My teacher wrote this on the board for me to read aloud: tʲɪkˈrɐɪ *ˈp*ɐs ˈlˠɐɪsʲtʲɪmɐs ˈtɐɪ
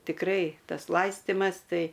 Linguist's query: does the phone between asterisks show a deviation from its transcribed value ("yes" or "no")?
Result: yes